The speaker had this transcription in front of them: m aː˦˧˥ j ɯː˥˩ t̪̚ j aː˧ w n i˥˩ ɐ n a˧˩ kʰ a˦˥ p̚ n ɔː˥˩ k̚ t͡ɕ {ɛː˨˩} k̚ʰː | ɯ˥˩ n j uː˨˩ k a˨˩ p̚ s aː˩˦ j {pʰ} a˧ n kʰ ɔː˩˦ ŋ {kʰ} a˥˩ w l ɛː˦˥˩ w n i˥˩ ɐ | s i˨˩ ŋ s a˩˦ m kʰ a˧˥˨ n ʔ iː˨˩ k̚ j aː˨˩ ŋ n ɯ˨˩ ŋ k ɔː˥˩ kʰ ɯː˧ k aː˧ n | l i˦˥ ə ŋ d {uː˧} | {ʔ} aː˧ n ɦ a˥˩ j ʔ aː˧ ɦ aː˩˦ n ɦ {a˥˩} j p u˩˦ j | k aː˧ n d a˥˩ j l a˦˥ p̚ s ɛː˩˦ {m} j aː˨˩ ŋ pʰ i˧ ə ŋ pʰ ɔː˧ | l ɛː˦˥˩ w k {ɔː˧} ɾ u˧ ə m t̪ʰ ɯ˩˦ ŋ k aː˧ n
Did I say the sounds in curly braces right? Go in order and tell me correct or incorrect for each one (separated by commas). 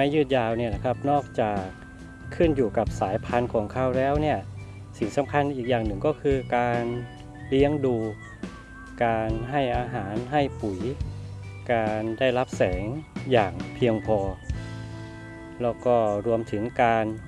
incorrect, correct, correct, correct, incorrect, correct, incorrect, incorrect